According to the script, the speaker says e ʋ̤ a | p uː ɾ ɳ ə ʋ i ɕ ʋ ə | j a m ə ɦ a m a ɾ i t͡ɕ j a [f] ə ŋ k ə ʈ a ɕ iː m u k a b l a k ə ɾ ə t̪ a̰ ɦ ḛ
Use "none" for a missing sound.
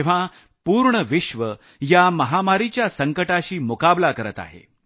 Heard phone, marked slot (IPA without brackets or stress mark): s